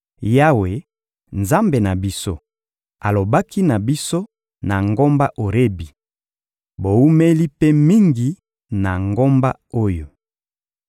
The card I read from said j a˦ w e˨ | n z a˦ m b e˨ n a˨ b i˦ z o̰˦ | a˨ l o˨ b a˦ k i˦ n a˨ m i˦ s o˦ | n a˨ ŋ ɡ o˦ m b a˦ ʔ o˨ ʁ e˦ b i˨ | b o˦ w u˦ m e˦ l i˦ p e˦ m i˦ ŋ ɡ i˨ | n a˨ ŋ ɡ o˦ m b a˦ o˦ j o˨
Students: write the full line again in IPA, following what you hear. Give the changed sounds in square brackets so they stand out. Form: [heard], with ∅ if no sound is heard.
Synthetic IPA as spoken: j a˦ w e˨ | n z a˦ m b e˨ n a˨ b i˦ [s] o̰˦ | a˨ l o˨ b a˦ k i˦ n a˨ [b] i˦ s o˦ | n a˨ ŋ ɡ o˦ m b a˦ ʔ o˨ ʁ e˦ b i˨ | b [o˨] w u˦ m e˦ l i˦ p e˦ m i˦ ŋ ɡ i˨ | n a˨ ŋ ɡ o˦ m b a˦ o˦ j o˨